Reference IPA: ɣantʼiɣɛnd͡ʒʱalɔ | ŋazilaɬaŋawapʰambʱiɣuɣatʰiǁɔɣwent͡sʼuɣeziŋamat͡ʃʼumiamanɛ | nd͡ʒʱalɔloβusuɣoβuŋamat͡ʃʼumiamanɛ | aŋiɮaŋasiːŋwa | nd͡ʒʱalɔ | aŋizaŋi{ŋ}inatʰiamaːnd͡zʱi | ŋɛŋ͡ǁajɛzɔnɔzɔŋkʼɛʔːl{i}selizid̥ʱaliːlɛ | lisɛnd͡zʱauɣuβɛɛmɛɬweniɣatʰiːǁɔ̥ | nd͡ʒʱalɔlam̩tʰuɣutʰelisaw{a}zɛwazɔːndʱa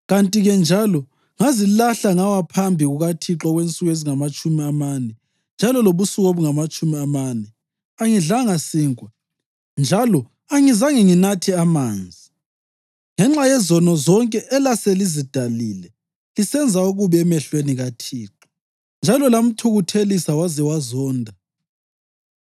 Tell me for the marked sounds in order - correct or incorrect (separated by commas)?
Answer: correct, incorrect, correct